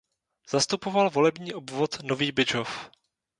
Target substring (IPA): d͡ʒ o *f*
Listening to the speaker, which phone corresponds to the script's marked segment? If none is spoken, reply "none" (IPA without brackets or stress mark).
f